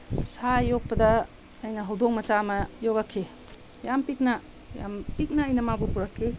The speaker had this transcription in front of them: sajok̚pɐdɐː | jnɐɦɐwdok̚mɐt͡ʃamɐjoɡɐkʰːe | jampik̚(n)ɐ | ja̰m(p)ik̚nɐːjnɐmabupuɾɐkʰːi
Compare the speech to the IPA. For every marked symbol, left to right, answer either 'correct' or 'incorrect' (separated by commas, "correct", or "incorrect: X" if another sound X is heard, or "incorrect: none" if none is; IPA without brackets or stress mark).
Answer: correct, correct